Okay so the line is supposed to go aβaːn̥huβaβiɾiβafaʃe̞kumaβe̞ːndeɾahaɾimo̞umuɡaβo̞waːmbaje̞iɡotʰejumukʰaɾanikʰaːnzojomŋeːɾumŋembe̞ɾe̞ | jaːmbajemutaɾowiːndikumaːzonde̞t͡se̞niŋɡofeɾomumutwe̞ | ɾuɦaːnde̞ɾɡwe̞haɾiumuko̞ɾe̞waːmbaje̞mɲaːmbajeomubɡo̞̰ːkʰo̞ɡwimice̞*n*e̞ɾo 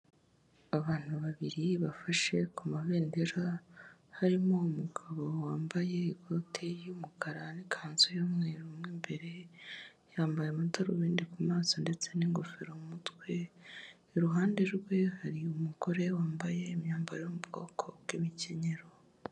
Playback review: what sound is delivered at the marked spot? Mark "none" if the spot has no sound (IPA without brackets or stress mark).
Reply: ɲ